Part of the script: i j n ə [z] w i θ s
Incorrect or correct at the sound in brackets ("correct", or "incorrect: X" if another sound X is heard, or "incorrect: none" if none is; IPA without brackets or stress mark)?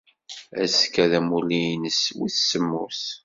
incorrect: s